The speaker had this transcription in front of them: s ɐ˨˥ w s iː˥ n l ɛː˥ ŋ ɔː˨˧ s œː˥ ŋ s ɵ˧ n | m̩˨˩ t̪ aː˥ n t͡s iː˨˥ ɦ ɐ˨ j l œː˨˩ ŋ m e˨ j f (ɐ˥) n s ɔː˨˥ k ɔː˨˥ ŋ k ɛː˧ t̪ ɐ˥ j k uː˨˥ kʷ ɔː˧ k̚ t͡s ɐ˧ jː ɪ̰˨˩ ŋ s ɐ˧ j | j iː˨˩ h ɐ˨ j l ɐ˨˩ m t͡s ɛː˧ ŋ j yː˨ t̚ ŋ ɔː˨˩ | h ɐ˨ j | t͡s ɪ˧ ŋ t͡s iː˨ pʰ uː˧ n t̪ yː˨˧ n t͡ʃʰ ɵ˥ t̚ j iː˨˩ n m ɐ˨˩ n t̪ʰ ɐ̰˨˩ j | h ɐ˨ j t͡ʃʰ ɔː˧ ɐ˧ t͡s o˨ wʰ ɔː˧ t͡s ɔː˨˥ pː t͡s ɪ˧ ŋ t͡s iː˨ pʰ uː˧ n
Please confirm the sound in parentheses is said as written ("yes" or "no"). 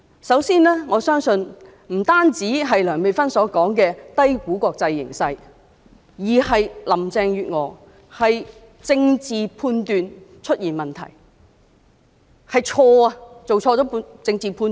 yes